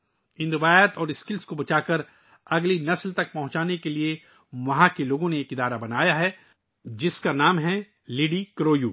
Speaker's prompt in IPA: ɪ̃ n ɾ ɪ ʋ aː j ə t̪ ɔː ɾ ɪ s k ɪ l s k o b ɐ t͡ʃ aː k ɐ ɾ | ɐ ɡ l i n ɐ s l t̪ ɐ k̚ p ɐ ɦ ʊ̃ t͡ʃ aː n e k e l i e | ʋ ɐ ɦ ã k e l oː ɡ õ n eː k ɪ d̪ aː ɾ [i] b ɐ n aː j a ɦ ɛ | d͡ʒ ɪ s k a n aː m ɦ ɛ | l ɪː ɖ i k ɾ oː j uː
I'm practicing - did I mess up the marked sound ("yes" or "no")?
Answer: yes